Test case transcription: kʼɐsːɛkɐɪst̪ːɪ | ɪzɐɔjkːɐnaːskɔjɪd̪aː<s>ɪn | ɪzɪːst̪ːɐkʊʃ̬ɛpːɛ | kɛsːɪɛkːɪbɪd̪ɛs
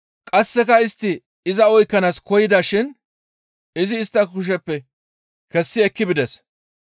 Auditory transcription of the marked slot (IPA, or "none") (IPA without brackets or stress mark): ʃ